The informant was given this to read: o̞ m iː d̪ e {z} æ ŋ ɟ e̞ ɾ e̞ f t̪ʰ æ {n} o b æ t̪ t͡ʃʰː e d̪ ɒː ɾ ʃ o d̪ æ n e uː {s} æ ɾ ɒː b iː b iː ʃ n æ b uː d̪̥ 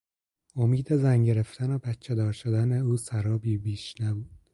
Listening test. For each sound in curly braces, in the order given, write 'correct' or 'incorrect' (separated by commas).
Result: correct, correct, correct